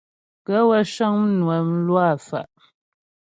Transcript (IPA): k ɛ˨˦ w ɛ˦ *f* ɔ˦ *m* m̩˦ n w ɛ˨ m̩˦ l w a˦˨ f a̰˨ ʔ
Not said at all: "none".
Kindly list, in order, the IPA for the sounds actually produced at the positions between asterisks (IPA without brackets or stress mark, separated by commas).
ʃ, ŋ